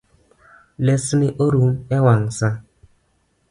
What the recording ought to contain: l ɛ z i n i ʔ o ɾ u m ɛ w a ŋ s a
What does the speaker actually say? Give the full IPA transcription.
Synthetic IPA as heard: l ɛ s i n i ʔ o ɾ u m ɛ w a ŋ s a